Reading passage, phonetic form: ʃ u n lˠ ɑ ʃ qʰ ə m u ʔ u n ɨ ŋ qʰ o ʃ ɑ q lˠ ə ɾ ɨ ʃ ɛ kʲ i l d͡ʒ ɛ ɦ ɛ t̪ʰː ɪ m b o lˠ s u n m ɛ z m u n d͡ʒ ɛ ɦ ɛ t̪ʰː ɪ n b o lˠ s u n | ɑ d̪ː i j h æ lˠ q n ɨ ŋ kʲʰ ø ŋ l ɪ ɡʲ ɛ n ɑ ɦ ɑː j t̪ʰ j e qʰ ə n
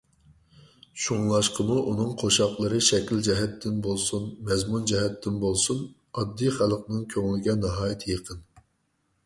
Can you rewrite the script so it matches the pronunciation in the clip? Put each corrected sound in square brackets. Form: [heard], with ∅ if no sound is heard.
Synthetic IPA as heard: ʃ u [ŋ] lˠ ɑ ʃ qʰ ə m u ʔ u n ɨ ŋ qʰ o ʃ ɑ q lˠ ə ɾ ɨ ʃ ɛ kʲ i l d͡ʒ ɛ ɦ ɛ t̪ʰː ɪ [n] b o lˠ s u n m ɛ z m u n d͡ʒ ɛ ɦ ɛ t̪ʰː ɪ n b o lˠ s u n | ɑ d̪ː i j [χ] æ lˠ q n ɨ ŋ kʲʰ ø ŋ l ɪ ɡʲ ɛ n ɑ ɦ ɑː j t̪ʰ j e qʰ ə n